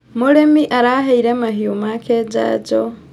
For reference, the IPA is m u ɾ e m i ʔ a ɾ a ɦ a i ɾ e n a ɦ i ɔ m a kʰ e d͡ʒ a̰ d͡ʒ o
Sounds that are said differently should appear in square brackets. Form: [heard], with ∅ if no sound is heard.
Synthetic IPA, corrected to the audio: m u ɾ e m i ʔ a ɾ a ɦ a i ɾ e [m] a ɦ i [u] m a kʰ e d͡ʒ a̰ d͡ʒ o